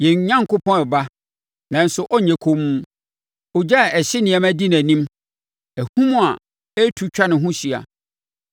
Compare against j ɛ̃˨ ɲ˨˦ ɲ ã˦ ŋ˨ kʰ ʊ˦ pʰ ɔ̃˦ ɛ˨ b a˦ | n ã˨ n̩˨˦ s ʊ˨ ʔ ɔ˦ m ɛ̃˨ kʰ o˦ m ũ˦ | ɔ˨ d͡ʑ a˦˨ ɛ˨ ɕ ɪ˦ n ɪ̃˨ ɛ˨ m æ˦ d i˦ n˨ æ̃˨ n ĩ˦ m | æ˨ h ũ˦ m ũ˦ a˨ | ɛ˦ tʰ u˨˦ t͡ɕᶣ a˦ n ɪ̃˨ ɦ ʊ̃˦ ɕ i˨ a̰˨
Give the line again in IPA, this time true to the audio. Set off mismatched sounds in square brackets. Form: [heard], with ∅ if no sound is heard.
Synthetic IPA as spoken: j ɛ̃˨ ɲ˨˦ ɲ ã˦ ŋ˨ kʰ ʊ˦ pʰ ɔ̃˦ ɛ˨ b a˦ | n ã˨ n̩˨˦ s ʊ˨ ʔ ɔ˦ [ɲ] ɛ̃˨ kʰ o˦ m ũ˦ | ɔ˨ d͡ʑ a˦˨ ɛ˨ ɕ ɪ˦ n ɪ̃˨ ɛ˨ m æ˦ d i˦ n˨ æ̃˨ n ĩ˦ m | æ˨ h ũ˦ m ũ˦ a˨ | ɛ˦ tʰ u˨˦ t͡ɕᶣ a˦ n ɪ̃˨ ɦ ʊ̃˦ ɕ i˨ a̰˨